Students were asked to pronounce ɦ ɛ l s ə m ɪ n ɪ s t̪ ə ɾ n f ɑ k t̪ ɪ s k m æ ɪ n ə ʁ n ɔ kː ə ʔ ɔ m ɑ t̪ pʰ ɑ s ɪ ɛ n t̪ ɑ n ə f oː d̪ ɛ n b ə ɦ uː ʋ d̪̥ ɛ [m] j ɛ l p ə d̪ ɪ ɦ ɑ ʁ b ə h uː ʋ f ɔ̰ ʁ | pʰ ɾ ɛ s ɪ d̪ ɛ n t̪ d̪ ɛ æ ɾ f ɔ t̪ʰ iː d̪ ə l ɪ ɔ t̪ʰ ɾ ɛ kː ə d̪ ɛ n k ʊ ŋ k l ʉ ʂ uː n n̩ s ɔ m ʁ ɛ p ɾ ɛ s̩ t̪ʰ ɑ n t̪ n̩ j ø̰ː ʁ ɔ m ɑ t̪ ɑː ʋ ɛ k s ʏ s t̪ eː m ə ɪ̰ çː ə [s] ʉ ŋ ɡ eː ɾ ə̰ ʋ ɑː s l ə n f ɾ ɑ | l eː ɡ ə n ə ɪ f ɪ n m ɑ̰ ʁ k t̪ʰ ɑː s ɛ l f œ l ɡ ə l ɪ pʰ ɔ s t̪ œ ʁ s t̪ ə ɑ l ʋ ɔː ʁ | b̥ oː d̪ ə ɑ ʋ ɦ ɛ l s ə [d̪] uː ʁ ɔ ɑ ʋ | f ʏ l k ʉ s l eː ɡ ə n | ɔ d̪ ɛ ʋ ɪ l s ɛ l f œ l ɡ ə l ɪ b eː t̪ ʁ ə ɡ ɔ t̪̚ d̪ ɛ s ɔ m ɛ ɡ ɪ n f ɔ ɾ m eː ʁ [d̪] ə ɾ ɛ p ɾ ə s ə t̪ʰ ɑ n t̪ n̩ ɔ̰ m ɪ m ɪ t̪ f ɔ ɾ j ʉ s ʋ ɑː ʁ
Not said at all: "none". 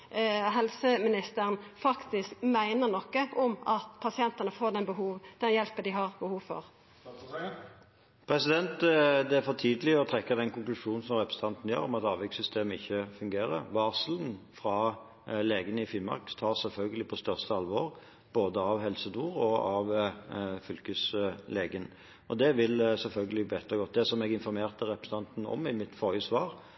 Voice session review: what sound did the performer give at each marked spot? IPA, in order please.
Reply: n, f, d̪, t̪

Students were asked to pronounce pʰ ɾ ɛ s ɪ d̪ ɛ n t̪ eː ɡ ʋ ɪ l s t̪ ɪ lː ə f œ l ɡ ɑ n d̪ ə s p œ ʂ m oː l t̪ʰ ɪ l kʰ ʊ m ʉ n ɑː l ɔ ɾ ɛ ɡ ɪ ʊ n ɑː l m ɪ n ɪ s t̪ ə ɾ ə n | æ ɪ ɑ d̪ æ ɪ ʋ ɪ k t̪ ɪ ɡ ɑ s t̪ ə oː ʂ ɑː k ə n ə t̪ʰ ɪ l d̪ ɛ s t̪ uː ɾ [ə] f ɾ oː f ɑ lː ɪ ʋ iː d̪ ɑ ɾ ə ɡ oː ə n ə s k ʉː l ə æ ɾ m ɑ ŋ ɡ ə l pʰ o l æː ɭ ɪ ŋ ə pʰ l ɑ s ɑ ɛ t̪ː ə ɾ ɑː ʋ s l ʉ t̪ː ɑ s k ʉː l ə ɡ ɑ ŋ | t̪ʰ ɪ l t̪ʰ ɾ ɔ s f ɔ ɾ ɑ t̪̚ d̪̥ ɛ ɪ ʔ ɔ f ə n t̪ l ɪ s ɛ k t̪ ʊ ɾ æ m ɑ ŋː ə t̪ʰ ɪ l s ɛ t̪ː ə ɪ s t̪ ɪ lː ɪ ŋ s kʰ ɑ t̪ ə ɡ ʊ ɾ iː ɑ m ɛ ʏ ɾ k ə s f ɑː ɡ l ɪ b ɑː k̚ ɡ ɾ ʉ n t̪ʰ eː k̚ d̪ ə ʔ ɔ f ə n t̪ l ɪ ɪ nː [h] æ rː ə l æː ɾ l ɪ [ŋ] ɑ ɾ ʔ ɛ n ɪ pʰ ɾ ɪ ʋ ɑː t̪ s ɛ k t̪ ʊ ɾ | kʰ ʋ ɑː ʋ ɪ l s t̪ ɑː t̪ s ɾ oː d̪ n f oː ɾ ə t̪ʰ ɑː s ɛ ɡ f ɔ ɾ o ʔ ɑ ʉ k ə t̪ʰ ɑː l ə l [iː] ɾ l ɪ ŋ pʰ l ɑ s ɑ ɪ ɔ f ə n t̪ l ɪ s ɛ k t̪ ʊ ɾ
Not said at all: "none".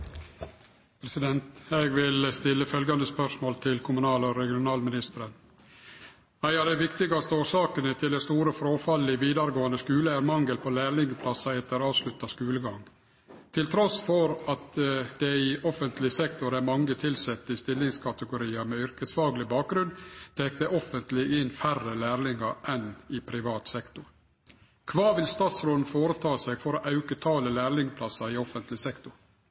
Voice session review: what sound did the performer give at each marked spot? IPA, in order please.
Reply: ə, f, ŋ, æː

